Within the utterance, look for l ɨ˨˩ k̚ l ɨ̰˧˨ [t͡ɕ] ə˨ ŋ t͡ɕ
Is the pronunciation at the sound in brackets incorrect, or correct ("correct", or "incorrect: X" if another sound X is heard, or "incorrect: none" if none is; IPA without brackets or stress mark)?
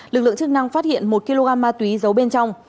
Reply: incorrect: none